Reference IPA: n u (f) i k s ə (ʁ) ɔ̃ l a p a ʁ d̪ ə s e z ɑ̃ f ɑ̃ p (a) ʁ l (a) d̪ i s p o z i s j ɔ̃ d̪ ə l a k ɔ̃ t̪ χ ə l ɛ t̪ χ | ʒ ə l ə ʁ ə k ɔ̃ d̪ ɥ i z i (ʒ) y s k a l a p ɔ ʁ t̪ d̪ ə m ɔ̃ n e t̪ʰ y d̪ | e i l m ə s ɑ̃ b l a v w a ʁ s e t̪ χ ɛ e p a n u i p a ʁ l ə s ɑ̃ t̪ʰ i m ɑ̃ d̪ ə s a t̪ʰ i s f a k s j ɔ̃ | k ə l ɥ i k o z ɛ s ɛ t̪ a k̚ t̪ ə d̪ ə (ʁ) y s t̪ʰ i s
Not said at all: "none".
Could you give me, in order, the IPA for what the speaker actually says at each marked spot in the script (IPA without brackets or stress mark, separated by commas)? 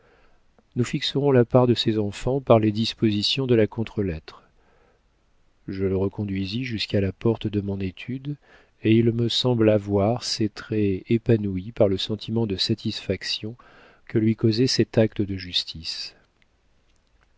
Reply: f, ʁ, a, e, ʒ, ʒ